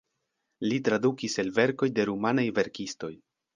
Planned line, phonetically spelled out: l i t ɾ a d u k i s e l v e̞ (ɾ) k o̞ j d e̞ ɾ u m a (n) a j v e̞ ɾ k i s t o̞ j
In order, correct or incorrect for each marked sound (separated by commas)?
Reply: correct, correct